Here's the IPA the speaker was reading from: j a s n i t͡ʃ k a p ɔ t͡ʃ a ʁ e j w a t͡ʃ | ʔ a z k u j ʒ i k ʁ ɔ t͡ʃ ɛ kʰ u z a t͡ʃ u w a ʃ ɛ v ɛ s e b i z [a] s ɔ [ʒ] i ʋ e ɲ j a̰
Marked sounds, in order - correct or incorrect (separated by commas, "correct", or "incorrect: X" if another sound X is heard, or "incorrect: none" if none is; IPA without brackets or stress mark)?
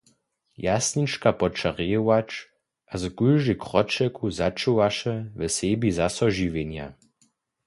correct, correct